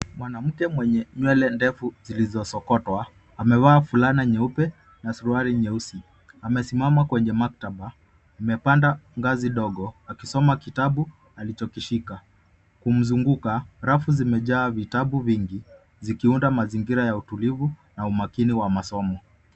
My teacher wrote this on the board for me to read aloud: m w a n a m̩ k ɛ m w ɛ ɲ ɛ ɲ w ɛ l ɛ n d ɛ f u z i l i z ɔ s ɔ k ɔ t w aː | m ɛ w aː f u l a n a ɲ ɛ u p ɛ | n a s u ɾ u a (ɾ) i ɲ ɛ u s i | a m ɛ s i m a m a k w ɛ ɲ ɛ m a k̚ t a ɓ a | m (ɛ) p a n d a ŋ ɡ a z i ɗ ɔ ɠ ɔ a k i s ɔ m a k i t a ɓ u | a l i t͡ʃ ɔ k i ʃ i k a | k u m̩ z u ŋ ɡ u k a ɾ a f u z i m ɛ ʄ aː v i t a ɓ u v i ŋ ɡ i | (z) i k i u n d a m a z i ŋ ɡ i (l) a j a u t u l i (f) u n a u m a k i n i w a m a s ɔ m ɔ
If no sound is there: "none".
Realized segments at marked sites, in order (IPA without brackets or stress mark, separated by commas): ɾ, ɛ, z, ɾ, v